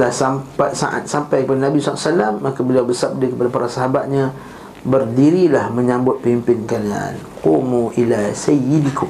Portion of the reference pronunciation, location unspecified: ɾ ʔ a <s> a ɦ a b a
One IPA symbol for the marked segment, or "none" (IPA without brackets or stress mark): s